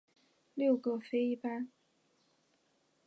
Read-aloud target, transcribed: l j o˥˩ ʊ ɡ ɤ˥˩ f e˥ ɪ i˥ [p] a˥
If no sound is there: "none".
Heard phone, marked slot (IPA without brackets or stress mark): p